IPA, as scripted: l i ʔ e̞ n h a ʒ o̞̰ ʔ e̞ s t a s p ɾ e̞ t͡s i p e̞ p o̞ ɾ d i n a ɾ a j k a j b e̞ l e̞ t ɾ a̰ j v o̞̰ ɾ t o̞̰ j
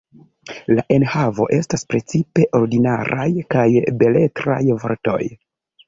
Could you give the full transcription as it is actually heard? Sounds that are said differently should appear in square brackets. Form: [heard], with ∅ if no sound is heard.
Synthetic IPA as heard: l [a] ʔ e̞ n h a [v] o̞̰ ʔ e̞ s t a s p ɾ e̞ t͡s i p e̞ [ʔ] o̞ ɾ d i n a ɾ a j k a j b e̞ l e̞ t ɾ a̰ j v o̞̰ ɾ t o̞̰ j